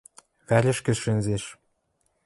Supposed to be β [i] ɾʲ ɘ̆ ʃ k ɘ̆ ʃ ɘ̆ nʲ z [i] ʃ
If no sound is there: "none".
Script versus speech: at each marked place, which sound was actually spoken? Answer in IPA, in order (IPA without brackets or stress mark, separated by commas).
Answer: æ, e